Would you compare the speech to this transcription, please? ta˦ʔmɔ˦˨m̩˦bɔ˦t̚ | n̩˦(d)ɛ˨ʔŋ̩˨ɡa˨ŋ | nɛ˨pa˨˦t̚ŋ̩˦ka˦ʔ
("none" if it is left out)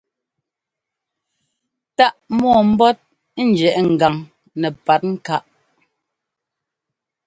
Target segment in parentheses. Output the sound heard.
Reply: d͡ʒ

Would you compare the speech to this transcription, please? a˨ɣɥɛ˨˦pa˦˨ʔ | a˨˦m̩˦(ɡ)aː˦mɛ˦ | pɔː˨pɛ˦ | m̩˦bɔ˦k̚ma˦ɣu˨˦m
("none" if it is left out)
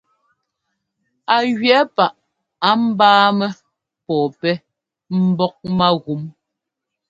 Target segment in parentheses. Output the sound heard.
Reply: b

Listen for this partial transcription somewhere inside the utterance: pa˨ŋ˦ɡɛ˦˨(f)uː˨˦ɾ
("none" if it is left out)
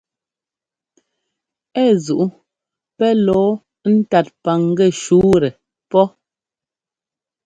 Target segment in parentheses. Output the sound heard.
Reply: ʃ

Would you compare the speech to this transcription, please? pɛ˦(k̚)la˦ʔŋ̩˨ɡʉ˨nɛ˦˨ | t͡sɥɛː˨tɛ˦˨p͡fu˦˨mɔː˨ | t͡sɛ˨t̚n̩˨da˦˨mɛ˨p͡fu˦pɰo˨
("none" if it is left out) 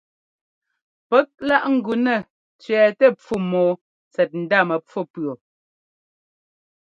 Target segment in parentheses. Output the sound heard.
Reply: k̚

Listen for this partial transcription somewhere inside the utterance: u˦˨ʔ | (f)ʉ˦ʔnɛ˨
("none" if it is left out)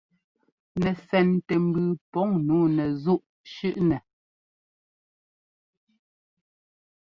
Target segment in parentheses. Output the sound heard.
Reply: ʃ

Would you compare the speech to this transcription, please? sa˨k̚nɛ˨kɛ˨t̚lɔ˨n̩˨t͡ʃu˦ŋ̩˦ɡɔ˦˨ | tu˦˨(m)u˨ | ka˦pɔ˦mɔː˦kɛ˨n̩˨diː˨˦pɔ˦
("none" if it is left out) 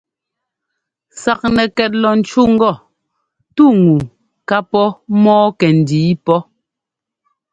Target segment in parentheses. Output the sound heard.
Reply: ŋ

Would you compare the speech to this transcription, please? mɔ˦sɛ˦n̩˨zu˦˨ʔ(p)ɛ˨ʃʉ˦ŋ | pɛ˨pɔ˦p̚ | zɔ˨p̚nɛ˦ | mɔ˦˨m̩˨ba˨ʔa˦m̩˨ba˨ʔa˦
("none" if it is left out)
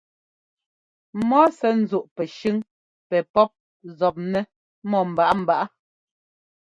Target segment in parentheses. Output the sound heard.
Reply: p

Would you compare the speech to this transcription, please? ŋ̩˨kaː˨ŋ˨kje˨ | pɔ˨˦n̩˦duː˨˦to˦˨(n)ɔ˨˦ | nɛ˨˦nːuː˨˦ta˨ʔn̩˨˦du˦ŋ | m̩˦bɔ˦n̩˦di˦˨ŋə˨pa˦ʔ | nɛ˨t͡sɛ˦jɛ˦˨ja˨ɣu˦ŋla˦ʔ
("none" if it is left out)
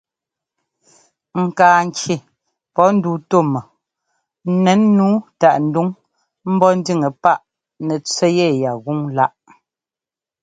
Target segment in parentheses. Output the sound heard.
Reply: m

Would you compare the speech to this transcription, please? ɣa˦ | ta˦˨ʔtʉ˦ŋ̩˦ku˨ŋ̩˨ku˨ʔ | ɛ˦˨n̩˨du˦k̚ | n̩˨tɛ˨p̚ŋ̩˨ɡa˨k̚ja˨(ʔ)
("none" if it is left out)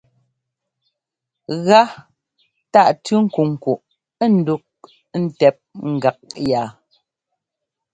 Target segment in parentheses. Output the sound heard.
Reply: none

